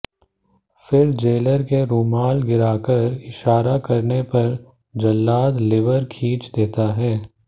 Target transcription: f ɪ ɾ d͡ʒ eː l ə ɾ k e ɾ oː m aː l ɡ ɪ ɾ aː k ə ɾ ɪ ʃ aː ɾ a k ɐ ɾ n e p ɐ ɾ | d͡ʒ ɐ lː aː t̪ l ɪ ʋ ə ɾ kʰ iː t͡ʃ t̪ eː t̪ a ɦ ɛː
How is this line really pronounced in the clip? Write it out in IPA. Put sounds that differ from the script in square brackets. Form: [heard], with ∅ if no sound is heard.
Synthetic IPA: f ɪ ɾ d͡ʒ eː l ə ɾ k e ɾ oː m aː l ɡ ɪ ɾ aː k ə ɾ ɪ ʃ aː ɾ a k ɐ ɾ n e p ɐ ɾ | d͡ʒ ɐ lː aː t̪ l ɪ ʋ ə ɾ kʰ iː t͡ʃ [d̪] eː t̪ a ɦ ɛː